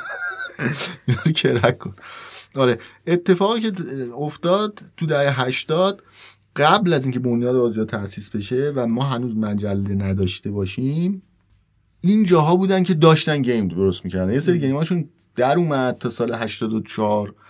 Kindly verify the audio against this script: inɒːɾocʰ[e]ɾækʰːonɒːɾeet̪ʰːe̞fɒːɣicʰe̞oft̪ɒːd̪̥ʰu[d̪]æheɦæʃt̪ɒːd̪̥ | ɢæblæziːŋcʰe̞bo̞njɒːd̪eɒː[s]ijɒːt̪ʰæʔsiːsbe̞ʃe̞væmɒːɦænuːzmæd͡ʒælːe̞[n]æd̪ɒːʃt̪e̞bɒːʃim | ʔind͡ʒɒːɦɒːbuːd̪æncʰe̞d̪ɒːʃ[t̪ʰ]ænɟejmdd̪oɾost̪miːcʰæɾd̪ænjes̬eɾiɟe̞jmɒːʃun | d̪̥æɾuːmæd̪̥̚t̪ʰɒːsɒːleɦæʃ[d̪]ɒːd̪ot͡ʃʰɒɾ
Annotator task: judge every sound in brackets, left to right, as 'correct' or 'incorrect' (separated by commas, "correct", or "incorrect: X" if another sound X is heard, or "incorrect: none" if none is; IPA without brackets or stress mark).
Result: correct, correct, incorrect: z, correct, incorrect: t̪, incorrect: t̪